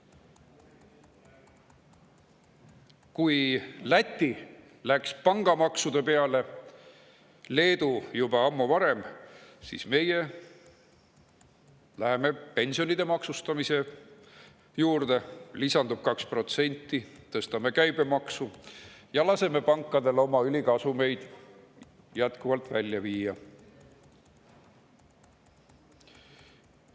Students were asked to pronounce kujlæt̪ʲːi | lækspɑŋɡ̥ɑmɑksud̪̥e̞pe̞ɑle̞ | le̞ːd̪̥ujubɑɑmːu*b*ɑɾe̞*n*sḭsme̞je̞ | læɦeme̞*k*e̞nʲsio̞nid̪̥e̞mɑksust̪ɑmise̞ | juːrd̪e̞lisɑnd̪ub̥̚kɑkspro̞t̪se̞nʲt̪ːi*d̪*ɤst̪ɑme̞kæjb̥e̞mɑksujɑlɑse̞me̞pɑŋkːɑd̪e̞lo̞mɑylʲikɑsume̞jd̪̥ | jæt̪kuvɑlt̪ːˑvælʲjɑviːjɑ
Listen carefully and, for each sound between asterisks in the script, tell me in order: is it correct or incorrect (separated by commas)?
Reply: incorrect, incorrect, incorrect, incorrect